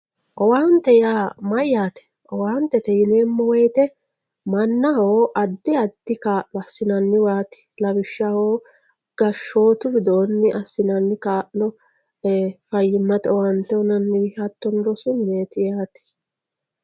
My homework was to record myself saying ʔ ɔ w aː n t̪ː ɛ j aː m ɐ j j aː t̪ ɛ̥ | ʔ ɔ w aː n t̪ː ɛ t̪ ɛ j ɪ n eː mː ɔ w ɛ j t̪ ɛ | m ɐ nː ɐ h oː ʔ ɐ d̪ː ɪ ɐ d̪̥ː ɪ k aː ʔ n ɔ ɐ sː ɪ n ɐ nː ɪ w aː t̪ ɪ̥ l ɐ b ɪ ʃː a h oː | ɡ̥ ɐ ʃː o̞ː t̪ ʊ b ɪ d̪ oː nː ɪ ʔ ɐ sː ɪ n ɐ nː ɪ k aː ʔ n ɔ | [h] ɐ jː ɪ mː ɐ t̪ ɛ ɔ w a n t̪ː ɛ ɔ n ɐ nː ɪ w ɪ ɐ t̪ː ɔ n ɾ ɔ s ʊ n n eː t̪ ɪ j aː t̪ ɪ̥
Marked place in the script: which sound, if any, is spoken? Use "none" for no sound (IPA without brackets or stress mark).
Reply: f